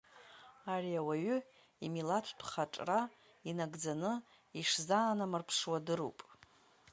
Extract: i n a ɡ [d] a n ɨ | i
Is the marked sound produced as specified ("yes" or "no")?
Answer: no